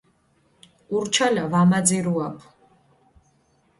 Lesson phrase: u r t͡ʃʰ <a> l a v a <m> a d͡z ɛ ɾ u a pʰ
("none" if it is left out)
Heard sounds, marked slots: a, m

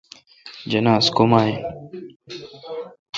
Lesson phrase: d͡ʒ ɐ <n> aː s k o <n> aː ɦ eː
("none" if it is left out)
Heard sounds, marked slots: n, m

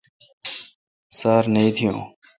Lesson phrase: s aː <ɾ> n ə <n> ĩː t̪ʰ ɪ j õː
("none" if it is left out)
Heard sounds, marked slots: ɾ, none

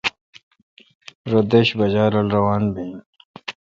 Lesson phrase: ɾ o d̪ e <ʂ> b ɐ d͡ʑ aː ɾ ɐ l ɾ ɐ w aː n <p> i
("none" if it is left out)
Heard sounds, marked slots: ɕ, b

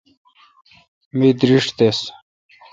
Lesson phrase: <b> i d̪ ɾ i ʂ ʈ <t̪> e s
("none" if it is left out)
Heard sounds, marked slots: m, t̪

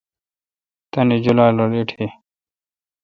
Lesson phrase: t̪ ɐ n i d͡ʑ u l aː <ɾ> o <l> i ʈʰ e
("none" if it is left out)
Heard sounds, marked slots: l, l

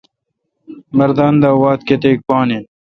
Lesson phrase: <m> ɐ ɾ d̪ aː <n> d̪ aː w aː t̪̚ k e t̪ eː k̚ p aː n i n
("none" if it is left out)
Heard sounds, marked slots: m, n

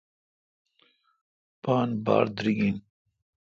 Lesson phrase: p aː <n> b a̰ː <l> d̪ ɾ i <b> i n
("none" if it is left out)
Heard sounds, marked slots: n, ɾ, ɡ

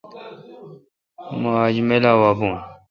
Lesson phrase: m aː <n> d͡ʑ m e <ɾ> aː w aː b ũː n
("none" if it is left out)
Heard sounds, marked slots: none, l

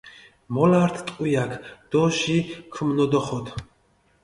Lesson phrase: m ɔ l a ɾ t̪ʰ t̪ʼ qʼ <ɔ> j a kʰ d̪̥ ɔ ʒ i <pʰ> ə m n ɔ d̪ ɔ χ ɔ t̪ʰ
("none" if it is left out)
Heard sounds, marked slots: u, kʰ

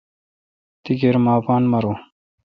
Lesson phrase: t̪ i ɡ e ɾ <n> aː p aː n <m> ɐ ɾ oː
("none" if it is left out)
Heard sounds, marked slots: m, m

